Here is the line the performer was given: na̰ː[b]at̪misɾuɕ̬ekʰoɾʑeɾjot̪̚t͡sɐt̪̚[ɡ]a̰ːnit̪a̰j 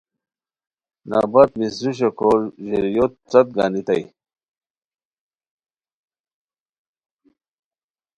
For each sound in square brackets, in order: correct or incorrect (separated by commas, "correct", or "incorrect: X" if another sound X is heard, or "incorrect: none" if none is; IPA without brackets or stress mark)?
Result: correct, correct